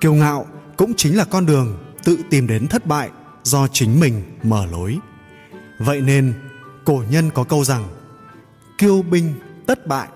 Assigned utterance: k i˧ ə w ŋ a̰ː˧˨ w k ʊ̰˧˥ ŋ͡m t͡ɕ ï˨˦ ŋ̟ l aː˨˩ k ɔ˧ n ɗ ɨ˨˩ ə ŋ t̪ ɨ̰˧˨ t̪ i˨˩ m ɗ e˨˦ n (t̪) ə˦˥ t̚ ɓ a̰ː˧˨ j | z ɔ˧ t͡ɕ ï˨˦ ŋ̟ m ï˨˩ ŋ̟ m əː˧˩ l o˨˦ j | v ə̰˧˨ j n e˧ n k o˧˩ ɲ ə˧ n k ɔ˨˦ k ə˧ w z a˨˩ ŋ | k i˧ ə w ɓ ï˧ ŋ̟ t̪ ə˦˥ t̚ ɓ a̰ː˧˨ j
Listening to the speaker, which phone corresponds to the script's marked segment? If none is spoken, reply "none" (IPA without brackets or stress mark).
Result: t̪ʰ